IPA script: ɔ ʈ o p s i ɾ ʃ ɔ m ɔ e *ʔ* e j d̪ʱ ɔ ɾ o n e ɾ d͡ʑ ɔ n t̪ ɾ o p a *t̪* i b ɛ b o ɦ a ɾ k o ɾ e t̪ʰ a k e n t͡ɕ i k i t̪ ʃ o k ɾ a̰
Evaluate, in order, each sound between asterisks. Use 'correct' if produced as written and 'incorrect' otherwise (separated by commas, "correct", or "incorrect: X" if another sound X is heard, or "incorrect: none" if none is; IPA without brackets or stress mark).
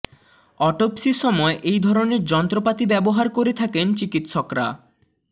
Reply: correct, correct